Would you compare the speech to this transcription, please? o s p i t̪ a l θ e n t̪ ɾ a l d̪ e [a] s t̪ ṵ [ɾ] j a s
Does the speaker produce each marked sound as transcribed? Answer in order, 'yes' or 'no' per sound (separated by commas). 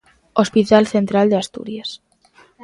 yes, yes